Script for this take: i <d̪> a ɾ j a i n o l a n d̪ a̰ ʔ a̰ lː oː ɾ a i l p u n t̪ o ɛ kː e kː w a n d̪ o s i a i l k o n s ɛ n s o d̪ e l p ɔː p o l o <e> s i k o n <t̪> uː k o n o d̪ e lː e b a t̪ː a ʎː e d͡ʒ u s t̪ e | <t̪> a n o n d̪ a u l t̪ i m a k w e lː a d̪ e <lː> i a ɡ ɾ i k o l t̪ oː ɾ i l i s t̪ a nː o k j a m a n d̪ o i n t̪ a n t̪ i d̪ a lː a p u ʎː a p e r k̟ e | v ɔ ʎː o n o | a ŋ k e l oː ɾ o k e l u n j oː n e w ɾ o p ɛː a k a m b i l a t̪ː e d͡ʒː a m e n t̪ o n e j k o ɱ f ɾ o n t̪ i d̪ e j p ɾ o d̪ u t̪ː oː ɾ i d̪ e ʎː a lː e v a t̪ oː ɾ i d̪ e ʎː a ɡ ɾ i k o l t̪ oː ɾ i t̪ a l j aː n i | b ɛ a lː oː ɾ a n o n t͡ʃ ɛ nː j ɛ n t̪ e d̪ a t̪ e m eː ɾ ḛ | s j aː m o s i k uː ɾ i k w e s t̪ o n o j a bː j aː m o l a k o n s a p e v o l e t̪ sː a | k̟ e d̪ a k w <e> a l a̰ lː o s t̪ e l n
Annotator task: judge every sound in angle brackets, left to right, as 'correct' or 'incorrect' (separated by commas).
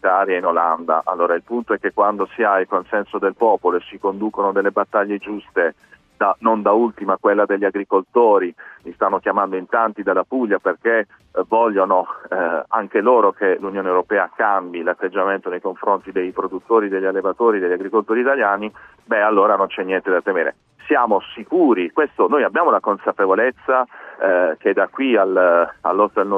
incorrect, correct, incorrect, incorrect, incorrect, incorrect